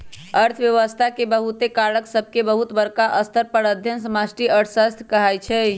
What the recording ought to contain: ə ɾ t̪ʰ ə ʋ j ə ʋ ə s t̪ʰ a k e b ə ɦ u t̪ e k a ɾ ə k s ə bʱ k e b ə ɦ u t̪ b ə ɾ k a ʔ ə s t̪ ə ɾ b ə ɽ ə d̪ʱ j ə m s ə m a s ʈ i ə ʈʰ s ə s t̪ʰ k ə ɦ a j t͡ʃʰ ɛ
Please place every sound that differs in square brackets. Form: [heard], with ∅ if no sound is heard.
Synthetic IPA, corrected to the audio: ə ɾ t̪ʰ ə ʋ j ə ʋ ə s t̪ʰ a k e b ə ɦ u t̪ e k a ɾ ə k s ə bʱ k e b ə ɦ u t̪ b ə ɾ k a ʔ ə s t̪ ə ɾ [p] ə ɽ ə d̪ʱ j ə [n] s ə m a s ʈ i ə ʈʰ s ə s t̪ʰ k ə ɦ a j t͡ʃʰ ɛ